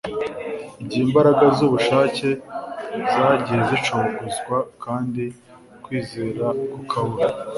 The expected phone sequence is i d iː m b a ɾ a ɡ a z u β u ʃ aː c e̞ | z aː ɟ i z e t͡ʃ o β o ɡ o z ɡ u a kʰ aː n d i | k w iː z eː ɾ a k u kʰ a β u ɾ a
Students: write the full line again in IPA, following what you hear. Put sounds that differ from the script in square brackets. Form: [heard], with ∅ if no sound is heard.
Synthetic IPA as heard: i [ɟ] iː m b a ɾ a ɡ a z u β u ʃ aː c e̞ | z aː ɟ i z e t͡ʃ o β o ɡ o z ɡ [w] a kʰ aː n d i | k w iː z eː ɾ a k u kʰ a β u ɾ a